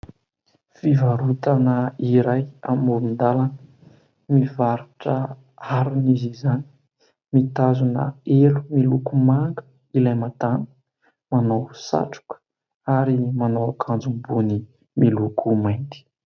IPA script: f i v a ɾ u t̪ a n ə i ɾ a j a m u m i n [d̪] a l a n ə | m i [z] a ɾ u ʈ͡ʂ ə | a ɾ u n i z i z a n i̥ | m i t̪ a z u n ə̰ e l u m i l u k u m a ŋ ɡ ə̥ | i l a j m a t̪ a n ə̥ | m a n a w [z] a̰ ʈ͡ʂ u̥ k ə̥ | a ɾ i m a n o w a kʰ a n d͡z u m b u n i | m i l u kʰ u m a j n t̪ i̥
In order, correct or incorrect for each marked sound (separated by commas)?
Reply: correct, incorrect, incorrect